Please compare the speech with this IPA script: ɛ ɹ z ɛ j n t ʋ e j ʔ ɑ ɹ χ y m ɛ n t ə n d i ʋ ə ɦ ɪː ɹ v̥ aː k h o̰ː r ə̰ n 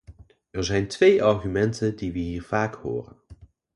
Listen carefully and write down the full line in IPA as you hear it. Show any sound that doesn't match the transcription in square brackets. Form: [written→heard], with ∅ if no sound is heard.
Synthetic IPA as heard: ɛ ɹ z ɛ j n t ʋ e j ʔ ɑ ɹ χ y m ɛ n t ə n d i ʋ ə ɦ [ɪː→iː] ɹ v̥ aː k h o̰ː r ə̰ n